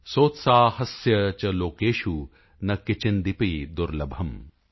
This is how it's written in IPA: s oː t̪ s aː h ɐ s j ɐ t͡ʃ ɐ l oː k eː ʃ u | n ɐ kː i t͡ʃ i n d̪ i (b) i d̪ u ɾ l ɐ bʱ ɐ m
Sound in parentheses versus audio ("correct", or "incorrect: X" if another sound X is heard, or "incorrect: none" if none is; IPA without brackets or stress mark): incorrect: p